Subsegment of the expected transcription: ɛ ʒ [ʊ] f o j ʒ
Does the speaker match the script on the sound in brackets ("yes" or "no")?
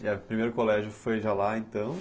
yes